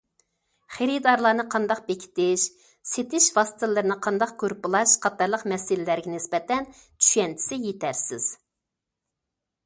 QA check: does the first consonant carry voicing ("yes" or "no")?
no